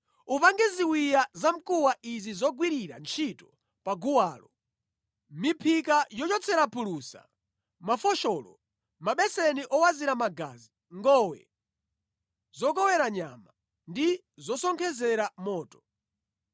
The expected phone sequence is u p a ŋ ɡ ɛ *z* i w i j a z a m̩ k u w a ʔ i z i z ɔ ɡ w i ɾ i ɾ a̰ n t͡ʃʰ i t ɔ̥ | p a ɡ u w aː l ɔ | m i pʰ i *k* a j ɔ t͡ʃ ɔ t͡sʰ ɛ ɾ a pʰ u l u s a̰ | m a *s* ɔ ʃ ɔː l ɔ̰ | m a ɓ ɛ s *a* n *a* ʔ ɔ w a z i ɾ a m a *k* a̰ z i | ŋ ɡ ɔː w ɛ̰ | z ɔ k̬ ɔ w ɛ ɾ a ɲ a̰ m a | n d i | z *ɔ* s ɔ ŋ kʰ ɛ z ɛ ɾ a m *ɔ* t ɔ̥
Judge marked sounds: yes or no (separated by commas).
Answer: yes, yes, no, no, no, no, yes, no